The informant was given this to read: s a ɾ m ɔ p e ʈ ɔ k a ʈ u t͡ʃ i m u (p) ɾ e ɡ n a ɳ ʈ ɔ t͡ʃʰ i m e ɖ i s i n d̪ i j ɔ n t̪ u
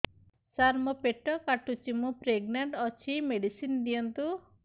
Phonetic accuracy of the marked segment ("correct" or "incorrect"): correct